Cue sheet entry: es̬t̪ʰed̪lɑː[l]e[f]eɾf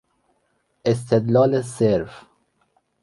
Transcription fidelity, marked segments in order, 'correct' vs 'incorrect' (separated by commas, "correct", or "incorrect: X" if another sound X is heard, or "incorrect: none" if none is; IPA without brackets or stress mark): correct, incorrect: s